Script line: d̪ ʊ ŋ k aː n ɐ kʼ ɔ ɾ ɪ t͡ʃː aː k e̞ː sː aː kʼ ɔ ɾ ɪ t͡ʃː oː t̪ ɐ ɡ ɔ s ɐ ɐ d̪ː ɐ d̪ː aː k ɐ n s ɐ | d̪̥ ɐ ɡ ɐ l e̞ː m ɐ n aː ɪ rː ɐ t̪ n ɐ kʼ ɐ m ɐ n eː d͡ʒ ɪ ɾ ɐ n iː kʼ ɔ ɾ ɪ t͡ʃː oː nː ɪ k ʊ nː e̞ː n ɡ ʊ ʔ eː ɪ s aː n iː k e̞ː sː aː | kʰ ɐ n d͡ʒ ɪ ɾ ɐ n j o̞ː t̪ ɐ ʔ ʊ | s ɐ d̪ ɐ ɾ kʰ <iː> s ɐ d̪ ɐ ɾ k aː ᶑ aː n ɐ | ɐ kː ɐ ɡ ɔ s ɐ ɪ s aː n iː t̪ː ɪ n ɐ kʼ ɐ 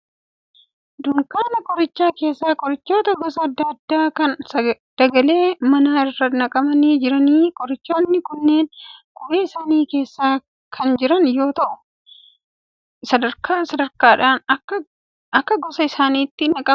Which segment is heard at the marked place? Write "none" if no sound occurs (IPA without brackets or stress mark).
aː